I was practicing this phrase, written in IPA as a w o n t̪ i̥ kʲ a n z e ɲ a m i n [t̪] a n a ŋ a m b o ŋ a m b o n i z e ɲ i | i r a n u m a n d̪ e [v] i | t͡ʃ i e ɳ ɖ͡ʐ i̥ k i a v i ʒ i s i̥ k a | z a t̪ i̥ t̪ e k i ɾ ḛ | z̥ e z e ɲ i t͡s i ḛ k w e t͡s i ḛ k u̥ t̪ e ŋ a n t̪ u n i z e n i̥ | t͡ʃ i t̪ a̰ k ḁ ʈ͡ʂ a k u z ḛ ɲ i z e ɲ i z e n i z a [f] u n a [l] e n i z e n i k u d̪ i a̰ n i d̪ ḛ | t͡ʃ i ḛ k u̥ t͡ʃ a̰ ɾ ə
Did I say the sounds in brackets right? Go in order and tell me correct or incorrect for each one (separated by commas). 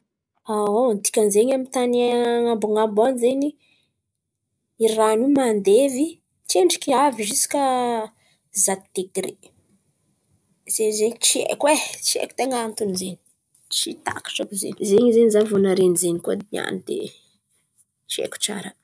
correct, correct, incorrect, incorrect